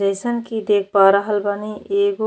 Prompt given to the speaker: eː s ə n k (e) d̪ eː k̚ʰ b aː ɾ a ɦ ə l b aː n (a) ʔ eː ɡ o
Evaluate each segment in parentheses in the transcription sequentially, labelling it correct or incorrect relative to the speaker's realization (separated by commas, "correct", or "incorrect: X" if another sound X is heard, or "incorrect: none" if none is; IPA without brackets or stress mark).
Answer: incorrect: i, incorrect: i